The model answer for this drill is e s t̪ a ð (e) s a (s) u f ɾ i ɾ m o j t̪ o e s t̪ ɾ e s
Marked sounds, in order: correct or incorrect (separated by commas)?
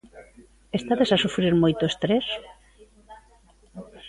correct, correct